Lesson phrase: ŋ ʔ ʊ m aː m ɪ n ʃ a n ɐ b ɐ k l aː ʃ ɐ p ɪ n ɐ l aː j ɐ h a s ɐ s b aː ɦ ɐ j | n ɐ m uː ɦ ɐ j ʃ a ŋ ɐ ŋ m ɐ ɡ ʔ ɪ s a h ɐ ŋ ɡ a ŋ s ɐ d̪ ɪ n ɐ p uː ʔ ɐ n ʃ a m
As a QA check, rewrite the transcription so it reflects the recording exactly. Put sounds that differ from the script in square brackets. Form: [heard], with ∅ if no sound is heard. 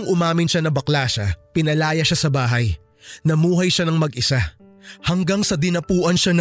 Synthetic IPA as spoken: ŋ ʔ ʊ m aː m ɪ n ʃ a n ɐ b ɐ k l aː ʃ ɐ p ɪ n ɐ l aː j ɐ [ʃ] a s ɐ [∅] b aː ɦ ɐ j | n ɐ m uː ɦ ɐ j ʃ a [n] ɐ ŋ m ɐ ɡ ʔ ɪ s a h ɐ ŋ ɡ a ŋ s ɐ d̪ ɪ n ɐ p uː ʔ ɐ n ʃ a [n]